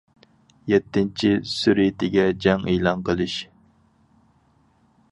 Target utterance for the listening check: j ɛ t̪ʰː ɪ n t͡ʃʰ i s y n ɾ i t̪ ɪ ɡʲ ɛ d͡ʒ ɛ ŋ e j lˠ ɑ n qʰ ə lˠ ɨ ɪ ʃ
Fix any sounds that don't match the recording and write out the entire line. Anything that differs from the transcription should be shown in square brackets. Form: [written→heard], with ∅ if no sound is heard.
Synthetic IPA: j ɛ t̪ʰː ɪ n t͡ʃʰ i s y [n→∅] ɾ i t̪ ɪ ɡʲ ɛ d͡ʒ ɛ ŋ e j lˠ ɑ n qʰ ə lˠ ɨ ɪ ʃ